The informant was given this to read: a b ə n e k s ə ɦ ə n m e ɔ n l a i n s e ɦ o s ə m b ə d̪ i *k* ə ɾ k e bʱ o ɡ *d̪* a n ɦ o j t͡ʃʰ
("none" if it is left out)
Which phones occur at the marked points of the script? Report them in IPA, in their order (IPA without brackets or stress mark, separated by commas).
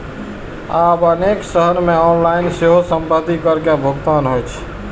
k, t̪